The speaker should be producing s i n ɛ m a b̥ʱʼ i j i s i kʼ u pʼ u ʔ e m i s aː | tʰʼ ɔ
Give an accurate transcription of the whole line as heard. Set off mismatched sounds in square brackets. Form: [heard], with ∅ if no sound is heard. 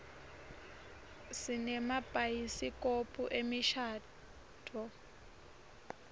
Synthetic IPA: s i n ɛ m a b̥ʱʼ [a] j i s i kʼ [o] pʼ u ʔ e m i [ʃ] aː | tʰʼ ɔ